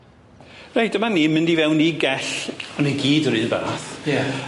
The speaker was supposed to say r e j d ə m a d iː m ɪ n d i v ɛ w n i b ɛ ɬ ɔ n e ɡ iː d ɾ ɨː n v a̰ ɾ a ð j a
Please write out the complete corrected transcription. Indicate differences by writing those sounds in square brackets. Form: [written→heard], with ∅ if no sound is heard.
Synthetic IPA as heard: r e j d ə m a [d→n] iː m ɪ n d i v ɛ w n i [b→ɡ] ɛ ɬ ɔ n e ɡ iː d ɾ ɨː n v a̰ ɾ a [ð→θ] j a